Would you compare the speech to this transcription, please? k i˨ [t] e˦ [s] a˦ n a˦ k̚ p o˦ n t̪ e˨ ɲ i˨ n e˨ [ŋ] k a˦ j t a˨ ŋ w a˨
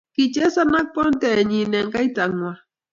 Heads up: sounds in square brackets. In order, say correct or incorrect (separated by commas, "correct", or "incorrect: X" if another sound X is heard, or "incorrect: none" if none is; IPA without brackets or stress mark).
incorrect: t͡ʃ, correct, correct